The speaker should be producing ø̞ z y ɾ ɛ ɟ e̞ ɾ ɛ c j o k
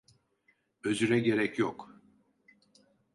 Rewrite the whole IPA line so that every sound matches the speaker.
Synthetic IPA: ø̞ z y ɾ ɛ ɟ e̞ ɾ ɛ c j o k